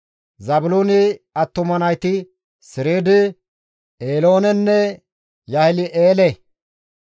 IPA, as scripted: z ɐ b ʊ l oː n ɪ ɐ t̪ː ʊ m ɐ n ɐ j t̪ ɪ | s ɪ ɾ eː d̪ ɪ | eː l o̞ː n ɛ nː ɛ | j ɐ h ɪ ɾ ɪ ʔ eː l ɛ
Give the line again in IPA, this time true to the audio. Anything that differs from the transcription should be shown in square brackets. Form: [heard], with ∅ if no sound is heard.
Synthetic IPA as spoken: z ɐ b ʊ l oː n ɪ ɐ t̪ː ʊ m ɐ n ɐ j t̪ ɪ | s ɪ ɾ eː d̪ ɪ | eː l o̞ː n ɛ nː ɛ | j ɐ h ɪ [l] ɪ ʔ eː l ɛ